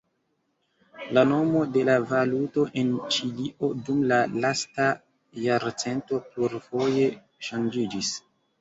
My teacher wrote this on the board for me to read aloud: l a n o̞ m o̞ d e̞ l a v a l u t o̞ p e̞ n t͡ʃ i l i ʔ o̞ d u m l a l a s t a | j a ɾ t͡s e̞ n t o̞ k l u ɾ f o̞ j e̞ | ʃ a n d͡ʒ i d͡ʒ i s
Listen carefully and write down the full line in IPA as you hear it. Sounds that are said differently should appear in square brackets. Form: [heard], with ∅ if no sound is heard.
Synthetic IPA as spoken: l a n o̞ m o̞ d e̞ l a v a l u t o̞ [ʔ] e̞ n t͡ʃ i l i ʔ o̞ d u m l a l a s t a | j a ɾ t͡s e̞ n t o̞ [p] l u ɾ f o̞ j e̞ | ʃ a n d͡ʒ i d͡ʒ i s